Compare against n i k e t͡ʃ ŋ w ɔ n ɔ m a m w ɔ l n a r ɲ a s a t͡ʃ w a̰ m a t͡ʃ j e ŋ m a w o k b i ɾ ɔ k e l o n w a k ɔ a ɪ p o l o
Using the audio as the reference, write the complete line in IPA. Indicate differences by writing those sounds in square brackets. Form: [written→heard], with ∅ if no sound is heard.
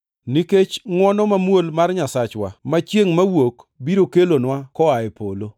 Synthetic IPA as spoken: n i k e t͡ʃ ŋ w ɔ n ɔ m a m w [ɔ→o] l [n→m] a r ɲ a s a t͡ʃ w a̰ m a t͡ʃ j e ŋ m a w o k b i ɾ [ɔ→o] k e l o n w a k ɔ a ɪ p o l o

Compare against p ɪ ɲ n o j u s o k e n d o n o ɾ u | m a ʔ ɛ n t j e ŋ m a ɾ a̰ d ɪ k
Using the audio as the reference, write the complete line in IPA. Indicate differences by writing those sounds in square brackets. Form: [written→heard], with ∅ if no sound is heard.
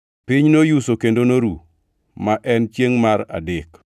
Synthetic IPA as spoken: p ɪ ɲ n o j u s o k e n d o n o ɾ u | m a ʔ ɛ n [t→t͡ʃ] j e ŋ m a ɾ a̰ d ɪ k

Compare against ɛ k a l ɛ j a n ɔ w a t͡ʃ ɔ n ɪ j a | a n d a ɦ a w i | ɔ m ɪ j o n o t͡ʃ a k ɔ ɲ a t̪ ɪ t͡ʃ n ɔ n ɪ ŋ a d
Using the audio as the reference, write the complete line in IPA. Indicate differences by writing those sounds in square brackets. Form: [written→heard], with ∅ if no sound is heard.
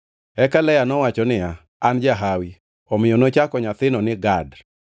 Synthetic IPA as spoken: ɛ k a l ɛ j a n ɔ w a t͡ʃ ɔ n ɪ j a | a n [d→d͡ʒ] a ɦ a w i | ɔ m ɪ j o n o t͡ʃ a k ɔ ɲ a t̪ ɪ [t͡ʃ→∅] n ɔ n ɪ [ŋ→ɡ] a d

